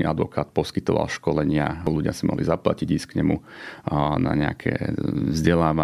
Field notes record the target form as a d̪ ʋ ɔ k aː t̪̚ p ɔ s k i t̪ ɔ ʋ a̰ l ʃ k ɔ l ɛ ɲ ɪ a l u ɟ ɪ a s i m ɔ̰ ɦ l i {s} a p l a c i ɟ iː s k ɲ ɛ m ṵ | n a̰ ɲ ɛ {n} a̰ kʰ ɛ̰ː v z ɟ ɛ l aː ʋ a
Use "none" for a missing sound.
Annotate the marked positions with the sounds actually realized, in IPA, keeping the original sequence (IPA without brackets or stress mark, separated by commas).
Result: z, none